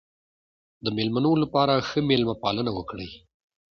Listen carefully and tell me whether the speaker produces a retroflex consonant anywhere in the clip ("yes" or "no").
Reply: yes